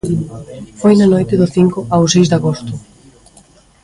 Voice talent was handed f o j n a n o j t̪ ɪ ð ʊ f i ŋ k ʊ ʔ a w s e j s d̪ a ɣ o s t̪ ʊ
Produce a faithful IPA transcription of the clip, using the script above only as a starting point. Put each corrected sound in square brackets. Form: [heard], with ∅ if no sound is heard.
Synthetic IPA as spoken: f o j n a n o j t̪ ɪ ð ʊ [θ] i ŋ k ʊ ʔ a w s e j [z] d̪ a ɣ o s t̪ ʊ